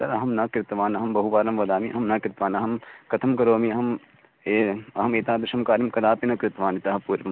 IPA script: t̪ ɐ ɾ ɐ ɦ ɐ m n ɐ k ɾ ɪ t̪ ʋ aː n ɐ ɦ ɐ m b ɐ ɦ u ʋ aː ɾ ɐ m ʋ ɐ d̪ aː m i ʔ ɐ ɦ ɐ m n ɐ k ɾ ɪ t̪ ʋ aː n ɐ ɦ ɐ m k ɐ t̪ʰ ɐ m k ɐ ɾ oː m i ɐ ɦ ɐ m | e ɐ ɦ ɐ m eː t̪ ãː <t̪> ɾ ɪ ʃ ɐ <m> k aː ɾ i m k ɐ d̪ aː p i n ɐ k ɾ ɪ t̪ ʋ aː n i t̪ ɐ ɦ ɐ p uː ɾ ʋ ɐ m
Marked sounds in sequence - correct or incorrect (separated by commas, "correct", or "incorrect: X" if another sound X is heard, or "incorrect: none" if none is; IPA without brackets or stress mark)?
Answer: incorrect: d̪, correct